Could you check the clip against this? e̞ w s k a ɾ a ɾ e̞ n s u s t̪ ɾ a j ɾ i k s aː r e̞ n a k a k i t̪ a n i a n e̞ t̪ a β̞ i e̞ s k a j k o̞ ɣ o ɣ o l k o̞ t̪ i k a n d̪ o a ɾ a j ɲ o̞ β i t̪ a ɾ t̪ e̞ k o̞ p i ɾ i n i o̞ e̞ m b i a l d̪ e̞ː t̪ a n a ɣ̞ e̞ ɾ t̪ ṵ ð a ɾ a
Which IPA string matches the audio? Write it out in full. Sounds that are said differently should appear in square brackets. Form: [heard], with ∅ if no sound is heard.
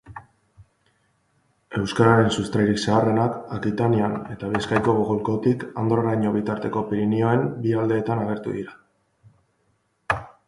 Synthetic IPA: e̞ w s k a ɾ a ɾ e̞ n s u s t̪ ɾ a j ɾ i k s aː r e̞ n a k a k i t̪ a n i a n e̞ t̪ a β̞ i e̞ s k a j k o̞ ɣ o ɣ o l k o̞ t̪ i k a n d̪ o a ɾ a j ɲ o̞ β i t̪ a ɾ t̪ e̞ k o̞ p i ɾ i n i o̞ e̞ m b i a l d̪ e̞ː t̪ a n a ɣ̞ e̞ ɾ t̪ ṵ ð [i] ɾ a